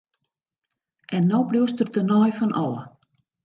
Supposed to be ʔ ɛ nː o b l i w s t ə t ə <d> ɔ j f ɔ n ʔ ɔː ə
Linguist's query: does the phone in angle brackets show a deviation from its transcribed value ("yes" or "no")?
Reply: yes